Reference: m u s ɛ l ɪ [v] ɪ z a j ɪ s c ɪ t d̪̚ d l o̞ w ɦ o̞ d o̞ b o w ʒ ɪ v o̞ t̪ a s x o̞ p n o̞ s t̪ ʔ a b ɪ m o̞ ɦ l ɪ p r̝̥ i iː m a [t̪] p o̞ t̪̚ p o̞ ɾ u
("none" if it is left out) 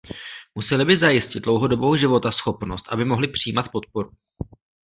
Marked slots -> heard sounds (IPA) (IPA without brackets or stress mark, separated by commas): b, t̪